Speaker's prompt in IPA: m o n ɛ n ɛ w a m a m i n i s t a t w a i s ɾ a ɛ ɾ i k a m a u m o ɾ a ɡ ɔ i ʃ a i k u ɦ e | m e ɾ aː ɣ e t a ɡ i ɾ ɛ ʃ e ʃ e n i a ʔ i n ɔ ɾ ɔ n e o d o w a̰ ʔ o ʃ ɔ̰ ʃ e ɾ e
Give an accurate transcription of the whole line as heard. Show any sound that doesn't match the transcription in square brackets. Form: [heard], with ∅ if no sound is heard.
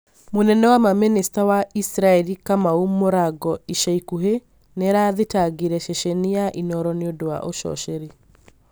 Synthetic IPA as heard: m o n ɛ n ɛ w a m a m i n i s t a [∅] w a i s ɾ a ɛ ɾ i k a m a u m o ɾ a ɡ ɔ i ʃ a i k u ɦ e | [n] e ɾ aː [ð] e t a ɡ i ɾ ɛ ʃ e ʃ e n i a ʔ i n ɔ ɾ ɔ n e o d o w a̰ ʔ o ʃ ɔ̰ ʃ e ɾ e